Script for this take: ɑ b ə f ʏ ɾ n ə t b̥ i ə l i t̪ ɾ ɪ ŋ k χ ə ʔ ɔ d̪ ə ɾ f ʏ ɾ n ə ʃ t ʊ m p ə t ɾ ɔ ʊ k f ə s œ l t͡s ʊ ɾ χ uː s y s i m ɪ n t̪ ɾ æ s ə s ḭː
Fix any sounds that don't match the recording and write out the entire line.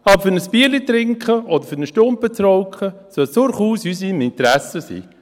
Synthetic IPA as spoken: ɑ b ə f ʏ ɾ n ə s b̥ i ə l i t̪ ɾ ɪ ŋ k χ ə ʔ ɔ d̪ ə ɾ f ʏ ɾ n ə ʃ t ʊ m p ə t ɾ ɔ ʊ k χ ə s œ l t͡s ʊ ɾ χ uː s y s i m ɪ n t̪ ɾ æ s ə s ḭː